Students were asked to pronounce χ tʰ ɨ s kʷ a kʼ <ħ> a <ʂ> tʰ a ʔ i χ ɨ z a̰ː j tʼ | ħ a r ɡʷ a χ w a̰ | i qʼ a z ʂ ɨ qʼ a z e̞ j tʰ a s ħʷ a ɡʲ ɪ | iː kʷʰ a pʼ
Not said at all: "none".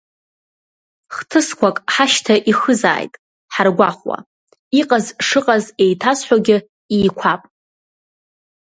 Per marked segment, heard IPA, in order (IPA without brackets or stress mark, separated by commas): ħ, ʃ